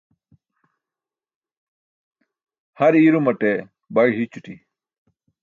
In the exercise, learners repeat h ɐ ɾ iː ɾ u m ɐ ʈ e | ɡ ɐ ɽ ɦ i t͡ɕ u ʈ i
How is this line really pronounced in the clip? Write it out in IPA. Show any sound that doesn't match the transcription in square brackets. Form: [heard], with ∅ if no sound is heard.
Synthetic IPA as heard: h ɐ ɾ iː ɾ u m ɐ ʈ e | [b] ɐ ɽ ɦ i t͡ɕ u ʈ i